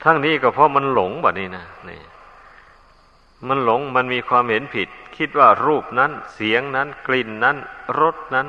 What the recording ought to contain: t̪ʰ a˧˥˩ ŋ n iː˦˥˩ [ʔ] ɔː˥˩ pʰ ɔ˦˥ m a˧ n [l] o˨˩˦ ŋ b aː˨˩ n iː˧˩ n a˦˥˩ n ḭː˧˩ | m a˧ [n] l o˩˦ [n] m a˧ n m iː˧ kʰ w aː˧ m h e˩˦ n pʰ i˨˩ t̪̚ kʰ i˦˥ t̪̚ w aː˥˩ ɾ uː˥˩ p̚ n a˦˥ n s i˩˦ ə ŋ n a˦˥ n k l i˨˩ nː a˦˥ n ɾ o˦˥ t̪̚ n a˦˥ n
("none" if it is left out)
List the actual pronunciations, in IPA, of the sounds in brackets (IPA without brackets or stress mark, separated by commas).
k, l, n, ŋ